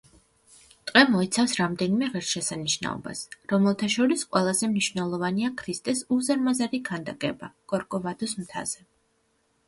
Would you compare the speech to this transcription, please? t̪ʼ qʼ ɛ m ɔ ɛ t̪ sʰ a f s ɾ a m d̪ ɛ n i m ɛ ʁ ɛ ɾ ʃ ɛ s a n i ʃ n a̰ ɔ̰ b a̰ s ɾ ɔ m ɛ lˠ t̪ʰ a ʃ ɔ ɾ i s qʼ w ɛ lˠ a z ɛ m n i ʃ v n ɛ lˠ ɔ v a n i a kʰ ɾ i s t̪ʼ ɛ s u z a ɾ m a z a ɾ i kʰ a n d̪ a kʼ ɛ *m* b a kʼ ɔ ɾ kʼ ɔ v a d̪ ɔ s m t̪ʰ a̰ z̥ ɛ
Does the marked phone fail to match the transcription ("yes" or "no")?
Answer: yes